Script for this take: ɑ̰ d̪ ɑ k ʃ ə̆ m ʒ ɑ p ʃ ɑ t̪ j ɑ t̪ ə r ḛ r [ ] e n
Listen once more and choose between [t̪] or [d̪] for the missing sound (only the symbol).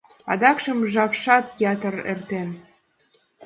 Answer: t̪